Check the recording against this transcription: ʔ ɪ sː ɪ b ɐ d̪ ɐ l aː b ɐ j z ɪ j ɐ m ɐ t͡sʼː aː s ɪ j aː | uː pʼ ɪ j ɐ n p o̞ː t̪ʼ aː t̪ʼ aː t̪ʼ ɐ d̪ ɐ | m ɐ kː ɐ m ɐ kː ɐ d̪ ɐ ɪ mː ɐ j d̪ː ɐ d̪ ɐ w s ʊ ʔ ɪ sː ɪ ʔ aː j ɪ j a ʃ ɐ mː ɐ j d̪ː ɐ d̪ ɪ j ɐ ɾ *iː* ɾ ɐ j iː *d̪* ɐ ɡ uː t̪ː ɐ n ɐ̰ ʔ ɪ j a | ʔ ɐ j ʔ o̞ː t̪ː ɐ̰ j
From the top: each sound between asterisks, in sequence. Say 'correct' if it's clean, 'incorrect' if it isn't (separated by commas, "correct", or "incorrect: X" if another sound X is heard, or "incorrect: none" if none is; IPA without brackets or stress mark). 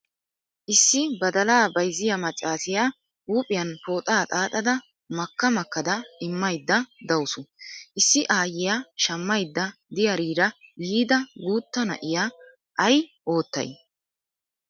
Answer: correct, correct